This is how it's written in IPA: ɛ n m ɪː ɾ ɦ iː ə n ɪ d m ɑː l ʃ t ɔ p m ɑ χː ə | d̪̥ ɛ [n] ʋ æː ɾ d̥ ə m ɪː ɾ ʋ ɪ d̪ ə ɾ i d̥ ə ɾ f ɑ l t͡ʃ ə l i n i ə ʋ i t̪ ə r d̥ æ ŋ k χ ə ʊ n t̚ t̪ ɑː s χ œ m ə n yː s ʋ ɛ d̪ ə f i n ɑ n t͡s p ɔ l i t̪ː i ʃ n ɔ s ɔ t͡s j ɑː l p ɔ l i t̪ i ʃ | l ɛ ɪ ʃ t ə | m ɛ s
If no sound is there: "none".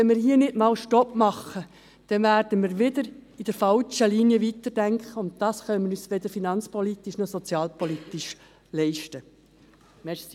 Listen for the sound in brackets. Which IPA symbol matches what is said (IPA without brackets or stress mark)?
n